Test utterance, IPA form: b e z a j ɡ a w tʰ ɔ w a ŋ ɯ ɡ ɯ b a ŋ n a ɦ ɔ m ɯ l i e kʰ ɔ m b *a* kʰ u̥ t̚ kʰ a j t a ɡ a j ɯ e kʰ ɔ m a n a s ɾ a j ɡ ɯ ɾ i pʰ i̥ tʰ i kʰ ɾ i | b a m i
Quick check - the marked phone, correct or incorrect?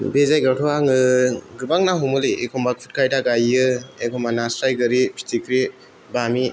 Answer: correct